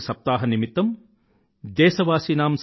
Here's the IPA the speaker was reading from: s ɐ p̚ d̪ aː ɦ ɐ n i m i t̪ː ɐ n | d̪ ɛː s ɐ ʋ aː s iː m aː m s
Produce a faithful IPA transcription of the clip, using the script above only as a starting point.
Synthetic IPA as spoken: s ɐ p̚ t̪ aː ɦ ɐ n i m i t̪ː ɐ m | d̪ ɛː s ɐ ʋ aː s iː n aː m s